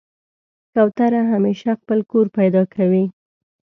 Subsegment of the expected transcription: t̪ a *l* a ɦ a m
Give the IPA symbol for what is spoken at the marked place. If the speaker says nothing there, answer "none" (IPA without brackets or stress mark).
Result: ɾ